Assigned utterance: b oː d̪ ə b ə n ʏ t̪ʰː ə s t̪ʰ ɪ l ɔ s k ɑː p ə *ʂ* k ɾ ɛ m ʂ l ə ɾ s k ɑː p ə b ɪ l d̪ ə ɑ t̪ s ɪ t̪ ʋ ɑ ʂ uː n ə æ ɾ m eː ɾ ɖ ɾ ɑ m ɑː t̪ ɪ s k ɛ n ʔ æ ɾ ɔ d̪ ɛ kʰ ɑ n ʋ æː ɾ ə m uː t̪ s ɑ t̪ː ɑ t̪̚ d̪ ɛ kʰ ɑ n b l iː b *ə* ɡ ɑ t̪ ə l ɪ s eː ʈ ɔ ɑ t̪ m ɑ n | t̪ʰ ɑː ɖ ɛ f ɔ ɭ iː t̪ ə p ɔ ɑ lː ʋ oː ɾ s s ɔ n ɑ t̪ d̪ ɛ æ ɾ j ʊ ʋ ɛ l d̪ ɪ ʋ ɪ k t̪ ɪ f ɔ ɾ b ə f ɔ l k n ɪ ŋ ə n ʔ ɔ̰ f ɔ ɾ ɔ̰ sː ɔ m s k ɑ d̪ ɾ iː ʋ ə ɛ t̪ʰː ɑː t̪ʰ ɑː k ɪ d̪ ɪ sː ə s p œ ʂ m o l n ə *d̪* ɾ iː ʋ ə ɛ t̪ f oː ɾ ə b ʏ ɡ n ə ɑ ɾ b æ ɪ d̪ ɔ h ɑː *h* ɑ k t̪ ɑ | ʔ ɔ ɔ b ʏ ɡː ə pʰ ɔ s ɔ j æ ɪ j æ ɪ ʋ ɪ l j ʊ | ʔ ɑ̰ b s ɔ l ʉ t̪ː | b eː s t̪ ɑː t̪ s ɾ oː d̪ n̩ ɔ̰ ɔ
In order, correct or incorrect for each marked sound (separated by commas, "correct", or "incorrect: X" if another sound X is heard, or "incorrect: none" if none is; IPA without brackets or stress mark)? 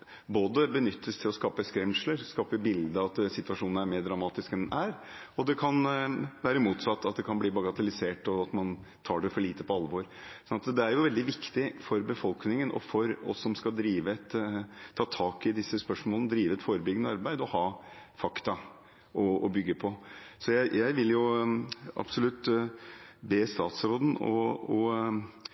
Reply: incorrect: s, incorrect: ɑ, correct, incorrect: f